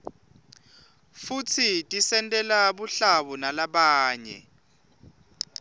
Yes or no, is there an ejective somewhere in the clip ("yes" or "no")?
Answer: yes